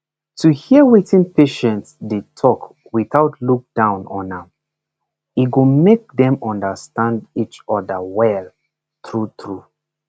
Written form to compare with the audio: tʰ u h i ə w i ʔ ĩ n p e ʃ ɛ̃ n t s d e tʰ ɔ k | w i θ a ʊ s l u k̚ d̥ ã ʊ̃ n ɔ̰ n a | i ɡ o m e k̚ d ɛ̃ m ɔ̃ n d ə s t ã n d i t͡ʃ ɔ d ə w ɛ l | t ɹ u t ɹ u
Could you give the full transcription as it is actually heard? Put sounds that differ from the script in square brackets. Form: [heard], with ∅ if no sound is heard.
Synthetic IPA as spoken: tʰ u h i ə w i [t] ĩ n p e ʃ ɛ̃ n t s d e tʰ ɔ k | w i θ a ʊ [t] l u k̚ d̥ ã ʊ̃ n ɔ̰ n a | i ɡ o m e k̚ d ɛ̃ m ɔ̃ n d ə s t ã n d i t͡ʃ ɔ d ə w ɛ l | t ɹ u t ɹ u